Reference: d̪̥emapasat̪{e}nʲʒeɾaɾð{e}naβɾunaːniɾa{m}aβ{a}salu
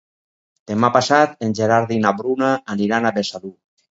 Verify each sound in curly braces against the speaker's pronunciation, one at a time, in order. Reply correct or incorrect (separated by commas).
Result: correct, incorrect, incorrect, incorrect